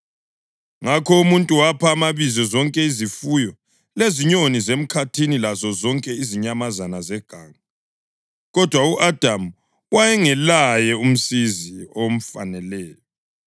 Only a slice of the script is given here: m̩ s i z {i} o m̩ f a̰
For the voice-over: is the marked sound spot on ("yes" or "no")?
yes